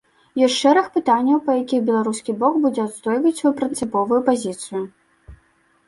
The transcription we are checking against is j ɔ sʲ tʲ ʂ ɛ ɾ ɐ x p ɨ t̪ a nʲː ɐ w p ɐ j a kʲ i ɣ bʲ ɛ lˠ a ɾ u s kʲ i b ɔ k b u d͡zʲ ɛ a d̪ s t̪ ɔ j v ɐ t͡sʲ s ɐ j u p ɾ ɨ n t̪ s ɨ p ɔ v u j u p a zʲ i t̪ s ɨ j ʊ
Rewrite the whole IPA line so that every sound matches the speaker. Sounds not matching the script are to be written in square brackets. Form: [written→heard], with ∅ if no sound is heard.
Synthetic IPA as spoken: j ɔ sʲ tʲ ʂ ɛ ɾ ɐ x p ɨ t̪ a nʲː ɐ w p ɐ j a kʲ i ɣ bʲ ɛ lˠ a ɾ u s kʲ i b ɔ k b u d͡zʲ ɛ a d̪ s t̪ ɔ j v ɐ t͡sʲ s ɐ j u p ɾ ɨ n t̪ s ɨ p ɔ v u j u p a zʲ i t̪ s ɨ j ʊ